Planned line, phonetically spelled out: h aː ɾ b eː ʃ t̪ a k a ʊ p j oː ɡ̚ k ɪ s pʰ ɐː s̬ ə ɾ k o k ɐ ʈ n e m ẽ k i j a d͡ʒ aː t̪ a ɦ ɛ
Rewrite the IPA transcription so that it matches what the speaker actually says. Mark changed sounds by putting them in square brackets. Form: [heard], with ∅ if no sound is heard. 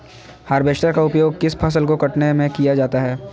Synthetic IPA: h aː ɾ b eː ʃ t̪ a k a ʊ p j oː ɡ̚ k ɪ s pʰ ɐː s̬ ə [l] k o k ɐ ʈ n e m ẽ k i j a d͡ʒ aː t̪ a ɦ [ɛː]

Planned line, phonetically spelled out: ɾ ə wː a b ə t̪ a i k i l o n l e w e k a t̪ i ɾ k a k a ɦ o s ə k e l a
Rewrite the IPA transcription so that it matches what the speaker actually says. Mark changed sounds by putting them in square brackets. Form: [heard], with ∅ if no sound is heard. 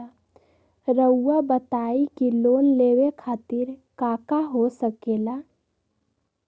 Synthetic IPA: ɾ ə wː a b ə t̪ a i k i l o n l e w e [kʰ] a t̪ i ɾ k a k a ɦ o s ə k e l a

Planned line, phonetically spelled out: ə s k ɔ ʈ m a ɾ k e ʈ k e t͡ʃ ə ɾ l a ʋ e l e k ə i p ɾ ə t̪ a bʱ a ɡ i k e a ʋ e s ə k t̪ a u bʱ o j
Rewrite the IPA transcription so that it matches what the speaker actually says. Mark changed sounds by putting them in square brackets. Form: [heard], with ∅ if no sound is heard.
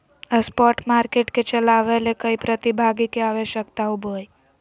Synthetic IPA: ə s [p] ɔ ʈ m a ɾ k e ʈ k e t͡ʃ ə [∅] l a ʋ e l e k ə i p ɾ ə t̪ [i] bʱ a ɡ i k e a ʋ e [ʃ] ə k t̪ a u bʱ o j

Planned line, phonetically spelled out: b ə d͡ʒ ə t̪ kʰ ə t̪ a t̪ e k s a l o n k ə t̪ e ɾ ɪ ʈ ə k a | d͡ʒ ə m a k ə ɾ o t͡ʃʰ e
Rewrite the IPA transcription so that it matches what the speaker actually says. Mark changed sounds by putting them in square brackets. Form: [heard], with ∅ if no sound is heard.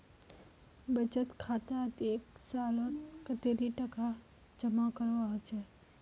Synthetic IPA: b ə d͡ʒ ə t̪ kʰ [a] t̪ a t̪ e k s a l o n k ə t̪ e ɾ [i] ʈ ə k a | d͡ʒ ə m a k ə ɾ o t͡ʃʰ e

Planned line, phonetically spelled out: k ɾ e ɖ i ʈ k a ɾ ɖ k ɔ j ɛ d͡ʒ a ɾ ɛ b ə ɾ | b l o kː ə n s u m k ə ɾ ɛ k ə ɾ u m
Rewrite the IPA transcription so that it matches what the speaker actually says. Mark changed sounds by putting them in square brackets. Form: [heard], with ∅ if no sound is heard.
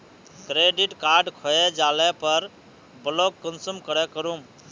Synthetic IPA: k ɾ e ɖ i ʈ k a ɾ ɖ [kʰ] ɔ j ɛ d͡ʒ a [l] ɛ [p] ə ɾ | b l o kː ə n s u m k ə ɾ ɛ k ə ɾ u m

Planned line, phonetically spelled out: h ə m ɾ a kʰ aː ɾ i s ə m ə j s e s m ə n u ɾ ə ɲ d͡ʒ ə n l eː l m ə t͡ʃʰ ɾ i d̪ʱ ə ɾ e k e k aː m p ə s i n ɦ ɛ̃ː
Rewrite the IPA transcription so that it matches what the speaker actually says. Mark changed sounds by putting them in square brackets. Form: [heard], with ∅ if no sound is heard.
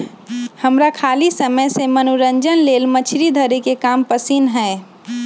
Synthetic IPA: h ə m ɾ a kʰ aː [l] i s ə m ə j s e [∅] m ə n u ɾ ə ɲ d͡ʒ ə n l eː l m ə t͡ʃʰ ɾ i d̪ʱ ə ɾ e k e k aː m p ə s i n ɦ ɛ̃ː

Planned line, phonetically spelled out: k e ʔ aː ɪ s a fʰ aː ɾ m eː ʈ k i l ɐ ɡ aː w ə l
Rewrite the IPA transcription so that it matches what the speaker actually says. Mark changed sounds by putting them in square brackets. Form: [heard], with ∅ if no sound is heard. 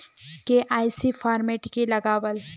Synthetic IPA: k e ʔ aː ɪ s [i] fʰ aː ɾ m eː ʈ k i l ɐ ɡ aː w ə l

